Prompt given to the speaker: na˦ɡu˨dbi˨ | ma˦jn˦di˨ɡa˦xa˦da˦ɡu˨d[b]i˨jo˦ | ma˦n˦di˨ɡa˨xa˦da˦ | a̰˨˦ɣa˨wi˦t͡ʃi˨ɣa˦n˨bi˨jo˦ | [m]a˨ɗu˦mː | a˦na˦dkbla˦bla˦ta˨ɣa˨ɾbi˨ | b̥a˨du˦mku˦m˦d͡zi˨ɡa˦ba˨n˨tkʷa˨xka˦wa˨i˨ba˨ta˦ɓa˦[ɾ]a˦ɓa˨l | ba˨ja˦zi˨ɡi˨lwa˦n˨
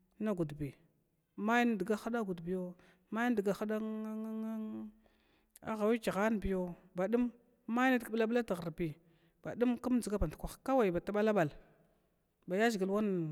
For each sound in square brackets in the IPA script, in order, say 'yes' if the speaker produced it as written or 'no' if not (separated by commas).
yes, no, no